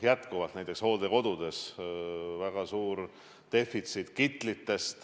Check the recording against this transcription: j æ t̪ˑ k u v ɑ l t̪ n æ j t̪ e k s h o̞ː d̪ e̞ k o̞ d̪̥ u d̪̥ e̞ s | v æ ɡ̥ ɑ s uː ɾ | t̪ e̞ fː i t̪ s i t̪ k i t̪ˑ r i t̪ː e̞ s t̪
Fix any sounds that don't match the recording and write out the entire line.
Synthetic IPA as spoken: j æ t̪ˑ k u v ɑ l t̪ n æ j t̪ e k s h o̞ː d̪ e̞ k o̞ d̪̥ u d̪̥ e̞ s | v æ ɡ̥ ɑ s uː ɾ | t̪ e̞ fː i t̪ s i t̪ k i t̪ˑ l i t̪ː e̞ s t̪